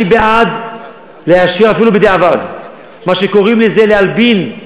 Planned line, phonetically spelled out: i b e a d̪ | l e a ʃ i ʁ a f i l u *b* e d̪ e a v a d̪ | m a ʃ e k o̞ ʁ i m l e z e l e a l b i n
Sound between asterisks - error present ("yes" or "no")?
no